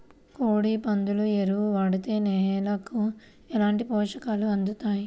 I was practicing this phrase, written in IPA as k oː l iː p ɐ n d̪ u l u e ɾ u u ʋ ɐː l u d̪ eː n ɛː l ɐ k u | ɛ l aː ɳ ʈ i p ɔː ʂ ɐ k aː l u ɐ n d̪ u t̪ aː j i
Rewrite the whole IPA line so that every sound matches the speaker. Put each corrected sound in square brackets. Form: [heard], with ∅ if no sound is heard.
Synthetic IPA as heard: k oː [ɽ] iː p ɐ n d̪ u l u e ɾ u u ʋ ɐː [ɽ] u [t̪] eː n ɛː l ɐ k u | ɛ l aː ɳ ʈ i p ɔː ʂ ɐ k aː l u ɐ n d̪ u t̪ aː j i